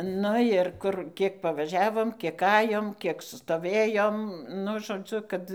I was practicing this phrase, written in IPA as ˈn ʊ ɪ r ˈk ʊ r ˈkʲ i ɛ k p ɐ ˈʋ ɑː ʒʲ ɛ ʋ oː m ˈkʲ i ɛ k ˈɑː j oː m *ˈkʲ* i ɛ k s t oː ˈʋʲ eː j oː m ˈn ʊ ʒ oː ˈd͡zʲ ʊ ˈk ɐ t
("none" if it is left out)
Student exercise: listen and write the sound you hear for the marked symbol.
kʲ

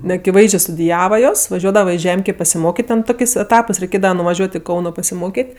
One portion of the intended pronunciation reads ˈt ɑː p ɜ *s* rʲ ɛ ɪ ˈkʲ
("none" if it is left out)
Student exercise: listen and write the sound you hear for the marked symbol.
s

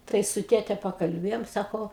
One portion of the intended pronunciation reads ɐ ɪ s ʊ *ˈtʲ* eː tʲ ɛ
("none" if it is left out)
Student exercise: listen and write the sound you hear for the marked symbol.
tʲ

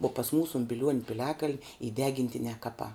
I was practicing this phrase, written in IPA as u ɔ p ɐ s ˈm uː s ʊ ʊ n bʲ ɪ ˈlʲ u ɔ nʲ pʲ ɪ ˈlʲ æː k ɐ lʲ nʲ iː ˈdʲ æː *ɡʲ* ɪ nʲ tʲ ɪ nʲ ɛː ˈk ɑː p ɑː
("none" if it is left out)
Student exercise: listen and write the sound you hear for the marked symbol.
ɡʲ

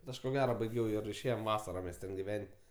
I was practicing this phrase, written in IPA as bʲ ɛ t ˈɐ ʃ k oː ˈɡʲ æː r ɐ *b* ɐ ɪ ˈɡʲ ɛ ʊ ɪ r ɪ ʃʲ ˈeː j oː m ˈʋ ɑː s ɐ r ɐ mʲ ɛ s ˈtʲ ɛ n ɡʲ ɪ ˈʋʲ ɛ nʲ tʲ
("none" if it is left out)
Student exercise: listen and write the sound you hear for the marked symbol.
b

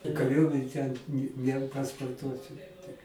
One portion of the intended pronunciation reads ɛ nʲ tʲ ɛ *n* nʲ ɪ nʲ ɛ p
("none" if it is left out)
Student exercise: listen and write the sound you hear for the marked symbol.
n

